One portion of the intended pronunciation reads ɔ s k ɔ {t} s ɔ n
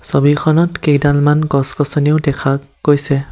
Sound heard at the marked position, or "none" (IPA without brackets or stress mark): none